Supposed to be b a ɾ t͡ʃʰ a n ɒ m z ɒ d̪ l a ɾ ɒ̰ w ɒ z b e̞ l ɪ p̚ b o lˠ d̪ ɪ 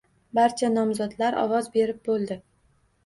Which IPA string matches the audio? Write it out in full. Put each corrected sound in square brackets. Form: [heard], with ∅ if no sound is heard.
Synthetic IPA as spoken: b a ɾ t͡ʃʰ a n ɒ m z ɒ d̪ l a ɾ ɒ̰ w ɒ z b e̞ [ɾ] ɪ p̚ b o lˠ d̪ ɪ